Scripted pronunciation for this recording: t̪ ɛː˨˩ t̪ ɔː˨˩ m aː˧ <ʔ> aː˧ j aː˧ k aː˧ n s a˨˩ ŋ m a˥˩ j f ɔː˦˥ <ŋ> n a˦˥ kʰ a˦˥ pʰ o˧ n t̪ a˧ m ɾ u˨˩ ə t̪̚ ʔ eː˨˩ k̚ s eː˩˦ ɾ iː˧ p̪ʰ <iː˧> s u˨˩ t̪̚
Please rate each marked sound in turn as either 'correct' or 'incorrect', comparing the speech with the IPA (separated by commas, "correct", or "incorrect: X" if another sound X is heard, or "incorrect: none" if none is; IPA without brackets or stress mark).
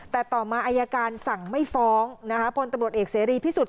correct, correct, incorrect: iː˥˩